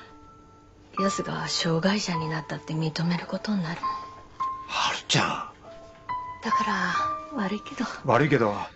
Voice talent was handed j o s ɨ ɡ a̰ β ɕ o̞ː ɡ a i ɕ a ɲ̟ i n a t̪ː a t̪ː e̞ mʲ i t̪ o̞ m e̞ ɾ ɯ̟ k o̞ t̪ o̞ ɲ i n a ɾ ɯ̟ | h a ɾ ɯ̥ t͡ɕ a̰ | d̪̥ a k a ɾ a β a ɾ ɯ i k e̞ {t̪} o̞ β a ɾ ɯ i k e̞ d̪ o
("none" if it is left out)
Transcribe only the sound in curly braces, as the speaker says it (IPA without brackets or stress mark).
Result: d̪